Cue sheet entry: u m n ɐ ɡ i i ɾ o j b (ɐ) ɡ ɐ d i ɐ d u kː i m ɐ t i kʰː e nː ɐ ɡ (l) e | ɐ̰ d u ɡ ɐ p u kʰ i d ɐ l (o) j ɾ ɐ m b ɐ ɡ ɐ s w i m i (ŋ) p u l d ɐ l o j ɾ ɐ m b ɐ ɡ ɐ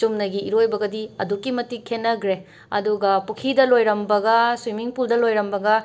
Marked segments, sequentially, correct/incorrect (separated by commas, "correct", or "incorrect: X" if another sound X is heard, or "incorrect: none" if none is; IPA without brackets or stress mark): correct, incorrect: ɾ, correct, correct